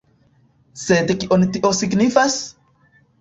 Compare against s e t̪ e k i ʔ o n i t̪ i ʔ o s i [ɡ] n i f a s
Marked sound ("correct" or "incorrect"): incorrect